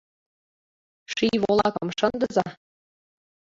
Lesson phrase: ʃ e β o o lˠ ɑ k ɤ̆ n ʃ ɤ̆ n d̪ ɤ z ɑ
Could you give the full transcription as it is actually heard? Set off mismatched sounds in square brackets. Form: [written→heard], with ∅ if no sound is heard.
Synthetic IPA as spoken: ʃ [e→i] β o o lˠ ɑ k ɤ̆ [n→m] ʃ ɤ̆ n d̪ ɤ z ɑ